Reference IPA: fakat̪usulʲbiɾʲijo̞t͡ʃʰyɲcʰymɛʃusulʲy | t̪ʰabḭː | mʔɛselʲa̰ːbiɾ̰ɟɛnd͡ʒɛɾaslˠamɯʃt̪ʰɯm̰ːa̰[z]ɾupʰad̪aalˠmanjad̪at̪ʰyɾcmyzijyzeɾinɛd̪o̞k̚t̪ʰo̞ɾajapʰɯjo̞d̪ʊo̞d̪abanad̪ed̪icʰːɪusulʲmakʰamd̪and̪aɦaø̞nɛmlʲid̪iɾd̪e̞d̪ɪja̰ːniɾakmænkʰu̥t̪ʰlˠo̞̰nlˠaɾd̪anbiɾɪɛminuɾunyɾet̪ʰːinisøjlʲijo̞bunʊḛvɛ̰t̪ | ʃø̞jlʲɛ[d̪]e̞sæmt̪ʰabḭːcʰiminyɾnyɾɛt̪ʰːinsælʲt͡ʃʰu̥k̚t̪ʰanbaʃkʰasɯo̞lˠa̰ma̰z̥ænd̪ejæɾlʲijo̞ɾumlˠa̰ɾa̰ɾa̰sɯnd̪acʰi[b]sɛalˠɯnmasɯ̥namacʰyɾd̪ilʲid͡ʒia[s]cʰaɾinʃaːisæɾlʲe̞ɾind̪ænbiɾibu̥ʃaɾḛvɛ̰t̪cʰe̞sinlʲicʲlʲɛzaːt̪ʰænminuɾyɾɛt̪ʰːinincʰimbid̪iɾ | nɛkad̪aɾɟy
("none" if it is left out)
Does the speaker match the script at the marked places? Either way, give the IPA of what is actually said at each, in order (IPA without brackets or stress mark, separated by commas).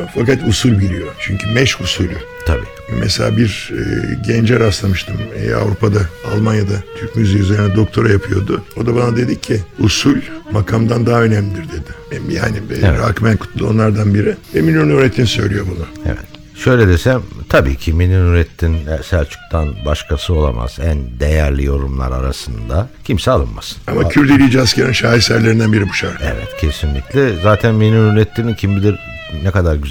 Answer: v, d̪, m, s